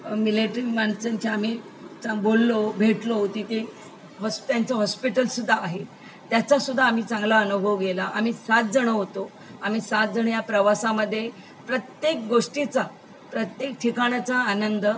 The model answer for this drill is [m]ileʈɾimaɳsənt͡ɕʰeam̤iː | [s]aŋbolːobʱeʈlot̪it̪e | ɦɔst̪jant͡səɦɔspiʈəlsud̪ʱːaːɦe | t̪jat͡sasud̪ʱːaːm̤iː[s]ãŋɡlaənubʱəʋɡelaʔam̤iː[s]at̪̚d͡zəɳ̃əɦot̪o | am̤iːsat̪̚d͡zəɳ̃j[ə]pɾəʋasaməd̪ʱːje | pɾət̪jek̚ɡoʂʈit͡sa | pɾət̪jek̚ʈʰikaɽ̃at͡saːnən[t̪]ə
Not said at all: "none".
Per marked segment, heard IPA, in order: m, t͡s, t͡s, s, a, d̪

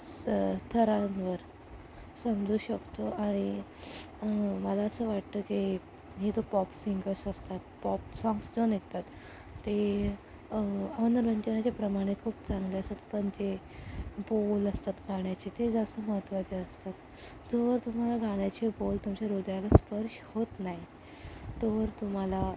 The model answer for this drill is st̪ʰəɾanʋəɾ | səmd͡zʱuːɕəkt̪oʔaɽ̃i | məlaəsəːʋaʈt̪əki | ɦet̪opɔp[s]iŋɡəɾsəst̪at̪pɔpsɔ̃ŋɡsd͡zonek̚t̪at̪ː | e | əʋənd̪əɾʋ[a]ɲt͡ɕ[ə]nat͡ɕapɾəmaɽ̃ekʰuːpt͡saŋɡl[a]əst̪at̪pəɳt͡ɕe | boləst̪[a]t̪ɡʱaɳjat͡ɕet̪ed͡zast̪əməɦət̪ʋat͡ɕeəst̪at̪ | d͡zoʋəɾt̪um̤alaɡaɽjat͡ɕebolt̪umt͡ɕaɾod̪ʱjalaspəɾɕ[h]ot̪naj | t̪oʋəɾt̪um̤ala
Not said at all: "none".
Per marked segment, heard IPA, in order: s, ə, ə, e, a, h

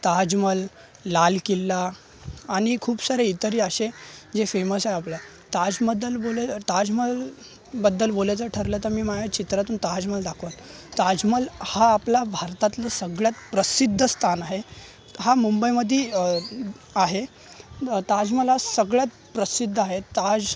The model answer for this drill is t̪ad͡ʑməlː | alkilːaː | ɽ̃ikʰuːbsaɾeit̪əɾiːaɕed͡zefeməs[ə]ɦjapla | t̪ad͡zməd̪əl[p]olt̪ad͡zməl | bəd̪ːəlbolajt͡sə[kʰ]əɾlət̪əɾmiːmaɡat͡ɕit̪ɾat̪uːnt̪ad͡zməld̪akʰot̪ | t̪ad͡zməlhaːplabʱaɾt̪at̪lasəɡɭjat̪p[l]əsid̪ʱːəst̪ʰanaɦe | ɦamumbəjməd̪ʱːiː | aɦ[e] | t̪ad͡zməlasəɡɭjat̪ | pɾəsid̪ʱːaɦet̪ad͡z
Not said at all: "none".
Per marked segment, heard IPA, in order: a, b, ʈʰ, ɾ, e

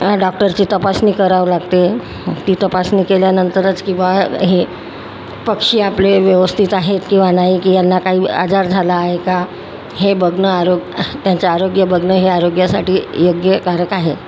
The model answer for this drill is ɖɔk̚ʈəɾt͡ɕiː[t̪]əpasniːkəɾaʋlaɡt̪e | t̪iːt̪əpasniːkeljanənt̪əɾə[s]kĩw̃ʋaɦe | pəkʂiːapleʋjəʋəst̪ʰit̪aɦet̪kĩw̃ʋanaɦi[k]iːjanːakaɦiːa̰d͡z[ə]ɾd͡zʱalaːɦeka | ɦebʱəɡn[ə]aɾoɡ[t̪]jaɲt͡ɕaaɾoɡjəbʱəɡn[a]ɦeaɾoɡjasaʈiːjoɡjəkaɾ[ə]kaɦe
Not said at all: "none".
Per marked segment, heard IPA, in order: t̪, t͡s, k, a, ə, t̪, ə, ə

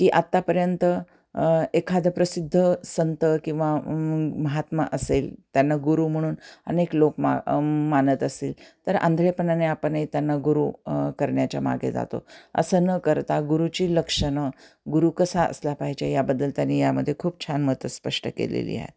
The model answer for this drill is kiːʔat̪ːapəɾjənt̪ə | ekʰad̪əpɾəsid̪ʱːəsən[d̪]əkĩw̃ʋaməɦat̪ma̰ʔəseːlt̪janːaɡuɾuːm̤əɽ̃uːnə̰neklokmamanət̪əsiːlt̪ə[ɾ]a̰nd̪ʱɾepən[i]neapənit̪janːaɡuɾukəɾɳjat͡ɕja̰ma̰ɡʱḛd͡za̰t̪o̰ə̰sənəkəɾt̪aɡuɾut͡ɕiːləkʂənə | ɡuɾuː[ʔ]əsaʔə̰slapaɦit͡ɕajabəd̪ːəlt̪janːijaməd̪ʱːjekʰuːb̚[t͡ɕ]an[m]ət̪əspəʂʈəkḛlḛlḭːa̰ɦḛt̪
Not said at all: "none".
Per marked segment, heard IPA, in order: t̪, ɾ, a, k, t͡ɕʰ, m

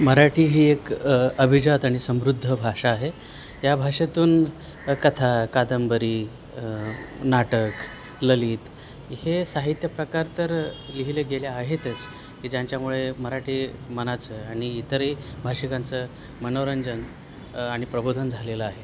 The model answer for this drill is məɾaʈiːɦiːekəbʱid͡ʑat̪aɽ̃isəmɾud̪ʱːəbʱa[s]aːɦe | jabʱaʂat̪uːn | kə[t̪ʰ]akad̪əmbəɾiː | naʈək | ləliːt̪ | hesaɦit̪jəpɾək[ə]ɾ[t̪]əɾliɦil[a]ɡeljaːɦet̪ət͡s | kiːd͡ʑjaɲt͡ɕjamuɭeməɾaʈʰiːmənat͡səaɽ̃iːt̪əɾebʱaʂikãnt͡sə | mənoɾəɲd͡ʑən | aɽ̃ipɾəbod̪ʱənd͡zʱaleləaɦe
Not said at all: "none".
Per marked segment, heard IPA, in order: ʂ, t̪ʰ, a, t̪, e

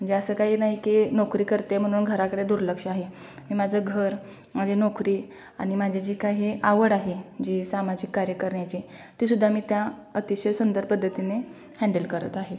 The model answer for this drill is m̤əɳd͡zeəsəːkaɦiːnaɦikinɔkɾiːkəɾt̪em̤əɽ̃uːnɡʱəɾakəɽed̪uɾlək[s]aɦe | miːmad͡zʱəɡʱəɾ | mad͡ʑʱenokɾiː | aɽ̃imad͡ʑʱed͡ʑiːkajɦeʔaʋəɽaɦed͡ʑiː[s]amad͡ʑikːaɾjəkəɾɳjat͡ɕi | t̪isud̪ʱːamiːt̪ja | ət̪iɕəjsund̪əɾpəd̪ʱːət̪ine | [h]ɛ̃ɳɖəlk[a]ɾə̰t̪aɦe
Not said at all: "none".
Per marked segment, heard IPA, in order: ʂ, s, h, ə

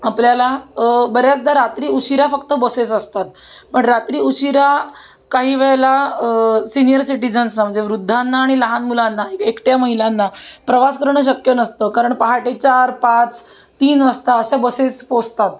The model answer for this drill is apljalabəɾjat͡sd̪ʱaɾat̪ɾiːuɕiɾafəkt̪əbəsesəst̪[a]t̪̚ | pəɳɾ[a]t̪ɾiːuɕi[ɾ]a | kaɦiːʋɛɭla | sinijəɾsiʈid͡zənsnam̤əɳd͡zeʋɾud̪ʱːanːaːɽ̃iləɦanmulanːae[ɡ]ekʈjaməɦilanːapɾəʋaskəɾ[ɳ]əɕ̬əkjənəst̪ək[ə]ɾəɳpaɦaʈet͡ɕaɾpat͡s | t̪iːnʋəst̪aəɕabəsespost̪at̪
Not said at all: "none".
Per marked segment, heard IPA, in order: a, a, ɾ, k, ɳ, a

